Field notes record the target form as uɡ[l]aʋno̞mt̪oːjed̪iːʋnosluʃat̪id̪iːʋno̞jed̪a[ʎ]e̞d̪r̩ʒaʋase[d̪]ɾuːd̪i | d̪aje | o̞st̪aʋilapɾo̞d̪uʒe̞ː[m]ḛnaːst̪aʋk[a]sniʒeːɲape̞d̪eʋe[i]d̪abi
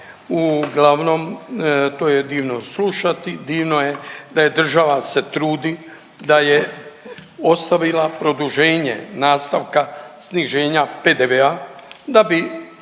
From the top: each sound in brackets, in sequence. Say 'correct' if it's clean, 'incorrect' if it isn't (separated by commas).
correct, incorrect, incorrect, incorrect, correct, incorrect